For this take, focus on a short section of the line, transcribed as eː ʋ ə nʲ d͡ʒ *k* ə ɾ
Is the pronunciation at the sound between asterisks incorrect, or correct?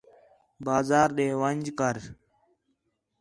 correct